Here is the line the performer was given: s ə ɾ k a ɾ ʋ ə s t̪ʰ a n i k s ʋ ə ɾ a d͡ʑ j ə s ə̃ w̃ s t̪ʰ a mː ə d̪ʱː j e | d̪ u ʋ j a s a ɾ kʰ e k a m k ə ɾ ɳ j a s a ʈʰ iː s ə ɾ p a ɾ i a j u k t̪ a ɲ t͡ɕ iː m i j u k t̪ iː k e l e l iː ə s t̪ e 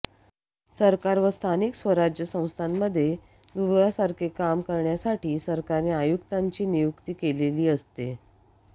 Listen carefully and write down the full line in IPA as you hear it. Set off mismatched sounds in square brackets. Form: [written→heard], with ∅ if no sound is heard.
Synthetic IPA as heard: s ə ɾ k a ɾ ʋ ə s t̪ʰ a n i k s ʋ ə ɾ a d͡ʑ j ə s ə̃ w̃ s t̪ʰ a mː ə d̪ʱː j e | d̪ u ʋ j a s a ɾ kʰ e k a m k ə ɾ ɳ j a s a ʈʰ iː s ə ɾ [p→k] a ɾ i a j u k t̪ a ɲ t͡ɕ iː [m→n] i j u k t̪ iː k e l e l iː ə s t̪ e